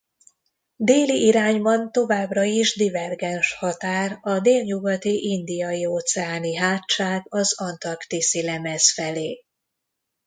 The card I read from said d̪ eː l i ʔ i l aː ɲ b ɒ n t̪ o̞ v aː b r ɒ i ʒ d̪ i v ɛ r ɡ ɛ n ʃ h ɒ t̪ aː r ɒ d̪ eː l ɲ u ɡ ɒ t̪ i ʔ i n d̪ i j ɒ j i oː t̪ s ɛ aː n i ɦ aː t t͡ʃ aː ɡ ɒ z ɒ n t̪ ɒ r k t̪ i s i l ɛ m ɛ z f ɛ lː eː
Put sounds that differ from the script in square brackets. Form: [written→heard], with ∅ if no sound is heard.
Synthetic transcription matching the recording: d̪ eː l i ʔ i [l→ɾ] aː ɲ b ɒ n t̪ o̞ v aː b r ɒ i ʒ d̪ i v ɛ r ɡ ɛ n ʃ h ɒ t̪ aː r ɒ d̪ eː l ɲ u ɡ ɒ t̪ i ʔ i n d̪ i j ɒ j i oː t̪ s ɛ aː n i ɦ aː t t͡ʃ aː ɡ ɒ z ɒ n t̪ ɒ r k t̪ i s i l ɛ m ɛ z f ɛ [lː→l] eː